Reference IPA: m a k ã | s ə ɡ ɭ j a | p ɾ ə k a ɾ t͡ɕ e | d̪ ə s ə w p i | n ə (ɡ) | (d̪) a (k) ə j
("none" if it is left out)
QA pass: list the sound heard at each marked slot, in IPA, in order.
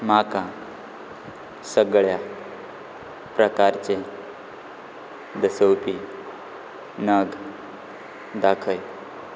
ɡ, d̪, kʰ

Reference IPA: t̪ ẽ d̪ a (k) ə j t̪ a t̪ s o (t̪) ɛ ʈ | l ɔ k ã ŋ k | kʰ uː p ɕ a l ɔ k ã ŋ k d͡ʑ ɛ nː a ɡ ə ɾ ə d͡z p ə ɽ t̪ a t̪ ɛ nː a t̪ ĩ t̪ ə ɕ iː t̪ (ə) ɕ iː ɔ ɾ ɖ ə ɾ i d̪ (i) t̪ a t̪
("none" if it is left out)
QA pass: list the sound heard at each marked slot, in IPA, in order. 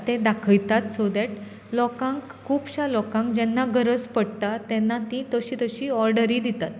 kʰ, d̪, ə, i

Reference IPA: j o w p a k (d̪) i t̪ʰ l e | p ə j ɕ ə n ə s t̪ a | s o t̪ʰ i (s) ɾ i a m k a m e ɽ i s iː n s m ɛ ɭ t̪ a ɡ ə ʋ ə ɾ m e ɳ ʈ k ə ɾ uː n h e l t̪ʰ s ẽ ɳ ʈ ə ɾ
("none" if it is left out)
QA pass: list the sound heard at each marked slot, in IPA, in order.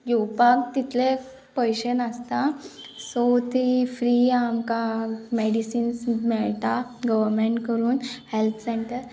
t̪, f

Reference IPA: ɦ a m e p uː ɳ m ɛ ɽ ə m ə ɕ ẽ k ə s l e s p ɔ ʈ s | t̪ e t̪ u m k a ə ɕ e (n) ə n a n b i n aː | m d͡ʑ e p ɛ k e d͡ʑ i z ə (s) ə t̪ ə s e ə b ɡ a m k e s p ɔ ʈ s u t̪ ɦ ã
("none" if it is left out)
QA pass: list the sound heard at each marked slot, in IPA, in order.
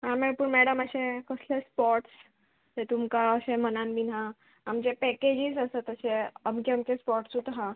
m, s

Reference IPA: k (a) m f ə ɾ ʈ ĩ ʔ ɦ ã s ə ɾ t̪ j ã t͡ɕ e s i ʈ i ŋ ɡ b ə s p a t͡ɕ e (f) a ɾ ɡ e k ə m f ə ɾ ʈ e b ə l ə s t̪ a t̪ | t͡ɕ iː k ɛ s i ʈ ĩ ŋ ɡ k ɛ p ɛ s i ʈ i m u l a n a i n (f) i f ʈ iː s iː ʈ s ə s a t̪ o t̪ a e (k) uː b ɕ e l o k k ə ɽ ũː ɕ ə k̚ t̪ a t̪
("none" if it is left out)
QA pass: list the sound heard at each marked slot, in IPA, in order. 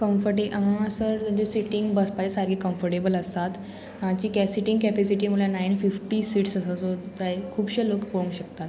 ə, s, f, kʰ

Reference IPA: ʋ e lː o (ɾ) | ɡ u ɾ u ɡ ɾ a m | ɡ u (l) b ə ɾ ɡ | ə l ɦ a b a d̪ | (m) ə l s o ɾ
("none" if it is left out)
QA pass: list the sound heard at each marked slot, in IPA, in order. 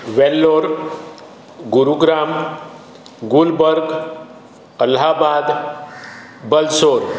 ɾ, l, b

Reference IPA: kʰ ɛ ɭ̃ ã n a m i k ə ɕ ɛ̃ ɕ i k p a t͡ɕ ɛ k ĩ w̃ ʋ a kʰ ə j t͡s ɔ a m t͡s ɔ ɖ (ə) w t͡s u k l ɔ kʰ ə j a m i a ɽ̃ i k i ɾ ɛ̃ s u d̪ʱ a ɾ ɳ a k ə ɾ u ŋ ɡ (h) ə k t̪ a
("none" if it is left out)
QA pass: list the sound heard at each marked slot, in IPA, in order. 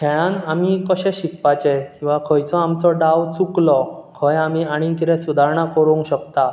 a, ɕ

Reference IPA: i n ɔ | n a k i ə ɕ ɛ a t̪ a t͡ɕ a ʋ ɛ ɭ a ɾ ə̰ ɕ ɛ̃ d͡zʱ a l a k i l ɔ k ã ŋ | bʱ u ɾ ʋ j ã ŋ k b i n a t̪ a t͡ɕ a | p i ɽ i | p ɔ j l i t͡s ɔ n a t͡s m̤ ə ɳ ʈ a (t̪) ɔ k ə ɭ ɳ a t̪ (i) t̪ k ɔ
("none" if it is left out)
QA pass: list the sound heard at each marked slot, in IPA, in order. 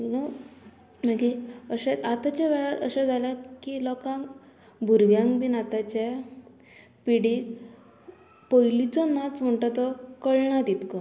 t̪, i

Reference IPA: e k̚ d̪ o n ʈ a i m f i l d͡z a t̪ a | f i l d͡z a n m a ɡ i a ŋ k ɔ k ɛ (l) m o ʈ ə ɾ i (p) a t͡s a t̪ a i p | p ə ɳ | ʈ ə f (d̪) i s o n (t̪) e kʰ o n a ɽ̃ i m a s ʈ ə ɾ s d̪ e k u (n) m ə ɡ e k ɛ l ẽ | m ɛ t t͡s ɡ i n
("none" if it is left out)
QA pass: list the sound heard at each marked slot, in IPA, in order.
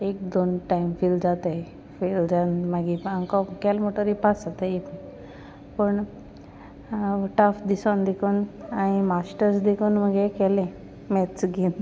l, p, d̪, d̪, n

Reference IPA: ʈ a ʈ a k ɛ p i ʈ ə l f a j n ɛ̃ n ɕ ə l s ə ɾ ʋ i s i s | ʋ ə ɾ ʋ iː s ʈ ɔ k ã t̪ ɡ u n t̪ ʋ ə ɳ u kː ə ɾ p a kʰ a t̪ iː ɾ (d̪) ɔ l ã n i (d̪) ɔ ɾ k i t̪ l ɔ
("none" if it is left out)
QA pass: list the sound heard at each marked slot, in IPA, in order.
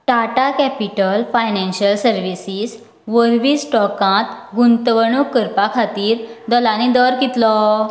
d̪, d̪

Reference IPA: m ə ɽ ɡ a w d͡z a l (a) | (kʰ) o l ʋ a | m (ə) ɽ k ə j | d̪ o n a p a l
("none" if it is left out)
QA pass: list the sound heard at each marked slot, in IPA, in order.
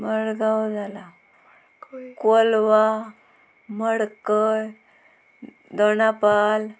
a, k, ə

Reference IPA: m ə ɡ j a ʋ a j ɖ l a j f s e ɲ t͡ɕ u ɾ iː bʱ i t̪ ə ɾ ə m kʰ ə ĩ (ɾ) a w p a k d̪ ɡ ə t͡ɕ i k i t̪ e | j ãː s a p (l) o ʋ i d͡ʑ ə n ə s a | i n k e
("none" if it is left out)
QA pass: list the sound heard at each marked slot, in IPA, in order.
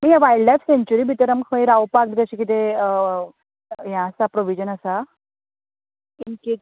ɾ, ɾ

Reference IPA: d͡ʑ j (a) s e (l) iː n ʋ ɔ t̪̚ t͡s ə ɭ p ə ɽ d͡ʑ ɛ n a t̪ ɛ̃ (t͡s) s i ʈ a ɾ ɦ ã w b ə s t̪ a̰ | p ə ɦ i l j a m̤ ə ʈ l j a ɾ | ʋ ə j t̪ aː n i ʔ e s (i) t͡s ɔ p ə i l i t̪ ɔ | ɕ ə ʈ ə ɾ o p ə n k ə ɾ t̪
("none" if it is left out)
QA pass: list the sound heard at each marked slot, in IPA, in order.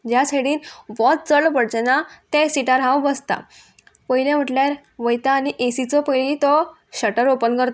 a, ɽ, none, i

